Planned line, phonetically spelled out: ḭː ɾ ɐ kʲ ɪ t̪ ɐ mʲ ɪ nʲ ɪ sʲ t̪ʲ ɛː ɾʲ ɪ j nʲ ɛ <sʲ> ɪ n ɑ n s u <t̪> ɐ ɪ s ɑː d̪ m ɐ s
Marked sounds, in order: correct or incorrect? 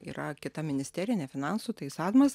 incorrect: fʲ, correct

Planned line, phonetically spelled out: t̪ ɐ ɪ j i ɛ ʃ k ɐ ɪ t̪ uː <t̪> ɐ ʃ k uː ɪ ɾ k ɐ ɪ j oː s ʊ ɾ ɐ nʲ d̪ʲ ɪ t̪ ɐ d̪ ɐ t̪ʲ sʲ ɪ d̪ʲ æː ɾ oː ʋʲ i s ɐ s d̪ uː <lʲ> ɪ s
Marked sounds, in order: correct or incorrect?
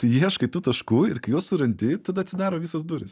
correct, incorrect: ɾʲ

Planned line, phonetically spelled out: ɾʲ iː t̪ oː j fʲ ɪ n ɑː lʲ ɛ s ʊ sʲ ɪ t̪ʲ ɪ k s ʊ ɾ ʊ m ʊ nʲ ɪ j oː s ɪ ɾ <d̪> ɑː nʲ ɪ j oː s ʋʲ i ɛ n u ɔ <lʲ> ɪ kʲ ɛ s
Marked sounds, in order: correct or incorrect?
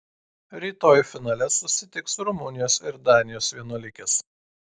correct, correct

